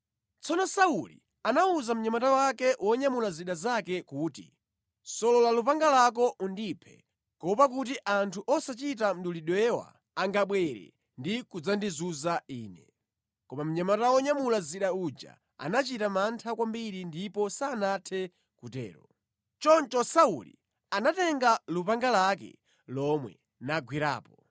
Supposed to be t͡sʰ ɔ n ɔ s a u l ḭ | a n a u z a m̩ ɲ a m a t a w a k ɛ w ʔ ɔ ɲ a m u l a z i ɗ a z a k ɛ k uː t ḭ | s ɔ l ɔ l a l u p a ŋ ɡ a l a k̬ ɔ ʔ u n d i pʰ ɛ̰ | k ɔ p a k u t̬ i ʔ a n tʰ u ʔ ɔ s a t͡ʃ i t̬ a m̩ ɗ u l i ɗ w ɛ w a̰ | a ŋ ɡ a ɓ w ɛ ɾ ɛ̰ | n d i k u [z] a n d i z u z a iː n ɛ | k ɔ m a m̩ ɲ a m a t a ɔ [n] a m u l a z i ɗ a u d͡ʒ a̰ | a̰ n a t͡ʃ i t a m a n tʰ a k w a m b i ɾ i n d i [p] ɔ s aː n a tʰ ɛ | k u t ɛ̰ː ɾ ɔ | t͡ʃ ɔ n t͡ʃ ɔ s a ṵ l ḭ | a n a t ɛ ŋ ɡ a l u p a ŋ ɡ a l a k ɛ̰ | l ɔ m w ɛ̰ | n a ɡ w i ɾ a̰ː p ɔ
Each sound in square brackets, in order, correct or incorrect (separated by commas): incorrect, incorrect, correct